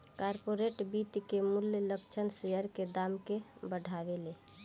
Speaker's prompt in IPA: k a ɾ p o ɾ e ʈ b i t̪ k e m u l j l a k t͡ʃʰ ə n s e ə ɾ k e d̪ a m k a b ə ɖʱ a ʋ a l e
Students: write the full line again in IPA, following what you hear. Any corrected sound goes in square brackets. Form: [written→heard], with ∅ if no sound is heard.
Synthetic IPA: k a ɾ p o ɾ e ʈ b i t̪ k e m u l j l [a→ə] k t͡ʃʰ ə n s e ə ɾ k e d̪ a m k [a→e] b ə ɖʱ a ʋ [a→e] l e

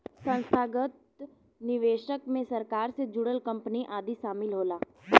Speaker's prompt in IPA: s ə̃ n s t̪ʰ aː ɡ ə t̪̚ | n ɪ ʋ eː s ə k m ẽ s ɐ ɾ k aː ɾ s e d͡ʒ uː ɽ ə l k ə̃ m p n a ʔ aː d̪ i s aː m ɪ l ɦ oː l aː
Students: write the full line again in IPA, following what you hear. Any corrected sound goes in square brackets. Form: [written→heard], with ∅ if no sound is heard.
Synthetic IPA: s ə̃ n s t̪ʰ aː ɡ ə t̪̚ | n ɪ ʋ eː [s→ʃ] ə k m ẽ s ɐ ɾ k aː ɾ s e d͡ʒ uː ɽ ə l k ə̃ m p n [a→i] ʔ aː d̪ i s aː m ɪ l ɦ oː l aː

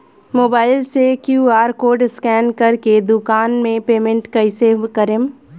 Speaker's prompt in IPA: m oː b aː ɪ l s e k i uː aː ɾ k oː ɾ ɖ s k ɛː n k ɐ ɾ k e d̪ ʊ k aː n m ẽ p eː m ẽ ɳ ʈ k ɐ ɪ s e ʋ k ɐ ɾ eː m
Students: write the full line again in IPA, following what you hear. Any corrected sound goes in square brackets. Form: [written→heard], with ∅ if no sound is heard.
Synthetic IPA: m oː b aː ɪ l s e k [i→j] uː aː ɾ k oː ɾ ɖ s k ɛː n k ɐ ɾ k e d̪ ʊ k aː n m ẽ p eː m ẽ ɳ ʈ k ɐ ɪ s e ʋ k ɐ ɾ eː m

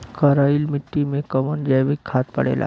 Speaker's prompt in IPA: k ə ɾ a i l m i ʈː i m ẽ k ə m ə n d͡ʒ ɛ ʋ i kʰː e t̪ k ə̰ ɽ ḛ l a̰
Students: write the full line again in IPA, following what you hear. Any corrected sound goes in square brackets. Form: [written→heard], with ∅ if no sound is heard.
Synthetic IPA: k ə ɾ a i l m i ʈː i m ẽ k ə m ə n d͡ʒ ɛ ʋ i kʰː [e→a] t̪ [k→p] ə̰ ɽ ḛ l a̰

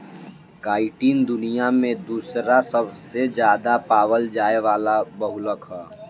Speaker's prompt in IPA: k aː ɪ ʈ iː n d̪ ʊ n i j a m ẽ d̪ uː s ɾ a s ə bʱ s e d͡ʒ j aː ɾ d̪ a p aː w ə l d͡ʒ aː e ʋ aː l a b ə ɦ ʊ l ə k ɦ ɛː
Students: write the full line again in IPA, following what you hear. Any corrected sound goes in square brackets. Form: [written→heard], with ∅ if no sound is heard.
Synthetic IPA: k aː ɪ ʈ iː n d̪ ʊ n i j a m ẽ d̪ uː s ɾ a s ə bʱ s e d͡ʒ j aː [ɾ→∅] d̪ a p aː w ə l d͡ʒ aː e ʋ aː l a b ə ɦ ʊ l ə k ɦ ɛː

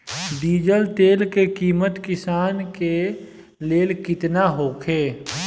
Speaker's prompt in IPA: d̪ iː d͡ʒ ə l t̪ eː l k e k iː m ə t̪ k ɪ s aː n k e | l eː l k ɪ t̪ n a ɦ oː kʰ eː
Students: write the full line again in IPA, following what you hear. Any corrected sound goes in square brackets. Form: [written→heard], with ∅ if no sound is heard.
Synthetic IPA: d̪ iː d͡ʒ ə l t̪ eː l k e k iː m ə t̪ k ɪ s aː n k e | l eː l k ɪ t̪ n a ɦ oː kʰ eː

